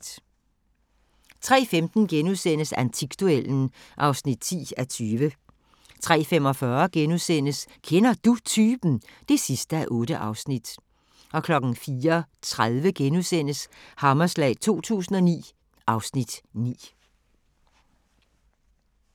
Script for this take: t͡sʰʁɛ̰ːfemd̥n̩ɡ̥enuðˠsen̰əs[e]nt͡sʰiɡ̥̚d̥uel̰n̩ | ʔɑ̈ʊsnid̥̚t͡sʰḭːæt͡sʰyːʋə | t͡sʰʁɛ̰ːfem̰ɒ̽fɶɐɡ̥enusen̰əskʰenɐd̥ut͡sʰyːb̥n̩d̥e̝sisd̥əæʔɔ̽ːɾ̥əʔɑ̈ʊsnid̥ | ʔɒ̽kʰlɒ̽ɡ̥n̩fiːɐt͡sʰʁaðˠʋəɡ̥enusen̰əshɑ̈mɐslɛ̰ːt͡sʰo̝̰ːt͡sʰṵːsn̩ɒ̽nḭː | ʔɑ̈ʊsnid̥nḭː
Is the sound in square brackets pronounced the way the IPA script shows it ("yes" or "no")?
no